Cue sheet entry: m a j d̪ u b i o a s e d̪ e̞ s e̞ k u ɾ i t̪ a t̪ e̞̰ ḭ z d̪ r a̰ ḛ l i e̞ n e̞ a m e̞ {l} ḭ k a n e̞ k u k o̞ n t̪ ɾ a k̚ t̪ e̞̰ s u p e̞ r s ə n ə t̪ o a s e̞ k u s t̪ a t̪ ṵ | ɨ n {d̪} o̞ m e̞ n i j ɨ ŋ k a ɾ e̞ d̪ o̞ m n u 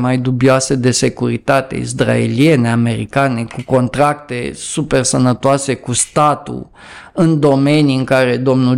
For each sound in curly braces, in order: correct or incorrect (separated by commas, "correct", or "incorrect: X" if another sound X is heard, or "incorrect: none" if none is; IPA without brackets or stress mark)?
incorrect: ɾ, correct